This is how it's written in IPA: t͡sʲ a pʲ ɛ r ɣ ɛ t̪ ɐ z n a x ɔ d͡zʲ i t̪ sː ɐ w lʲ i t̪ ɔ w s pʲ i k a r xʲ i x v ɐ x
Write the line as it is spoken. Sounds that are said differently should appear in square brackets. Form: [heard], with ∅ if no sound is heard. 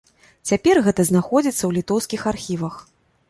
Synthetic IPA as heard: t͡sʲ a pʲ ɛ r ɣ ɛ t̪ ɐ z n a x ɔ d͡zʲ i t̪ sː ɐ w lʲ i t̪ ɔ w s [kʲ] i [x] a r xʲ i [∅] v ɐ x